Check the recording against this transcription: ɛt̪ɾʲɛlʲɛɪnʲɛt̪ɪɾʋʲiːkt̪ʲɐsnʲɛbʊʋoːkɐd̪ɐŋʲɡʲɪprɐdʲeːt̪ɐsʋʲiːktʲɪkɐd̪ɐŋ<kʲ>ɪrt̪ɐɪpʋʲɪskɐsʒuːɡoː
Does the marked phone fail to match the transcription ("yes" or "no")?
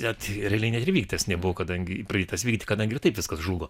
yes